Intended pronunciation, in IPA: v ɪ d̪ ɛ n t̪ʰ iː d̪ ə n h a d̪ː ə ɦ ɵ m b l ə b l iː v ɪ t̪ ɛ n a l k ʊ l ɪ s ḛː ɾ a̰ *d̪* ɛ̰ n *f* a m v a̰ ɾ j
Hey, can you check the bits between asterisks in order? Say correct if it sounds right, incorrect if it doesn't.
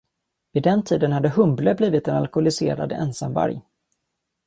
correct, incorrect: s

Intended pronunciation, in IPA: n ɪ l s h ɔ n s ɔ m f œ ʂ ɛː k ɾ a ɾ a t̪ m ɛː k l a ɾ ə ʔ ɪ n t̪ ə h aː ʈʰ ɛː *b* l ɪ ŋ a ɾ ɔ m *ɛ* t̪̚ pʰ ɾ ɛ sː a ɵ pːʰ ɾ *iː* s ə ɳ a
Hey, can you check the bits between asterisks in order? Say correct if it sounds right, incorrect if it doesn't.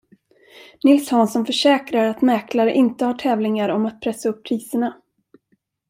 incorrect: v, incorrect: a, correct

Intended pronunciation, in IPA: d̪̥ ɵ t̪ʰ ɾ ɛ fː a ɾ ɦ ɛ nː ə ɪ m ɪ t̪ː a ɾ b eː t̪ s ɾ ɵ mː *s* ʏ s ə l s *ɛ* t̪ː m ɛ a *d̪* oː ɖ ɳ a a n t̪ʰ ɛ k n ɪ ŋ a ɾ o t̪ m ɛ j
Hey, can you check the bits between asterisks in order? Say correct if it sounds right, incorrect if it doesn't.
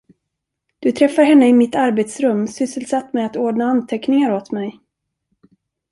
correct, incorrect: a, incorrect: t̪

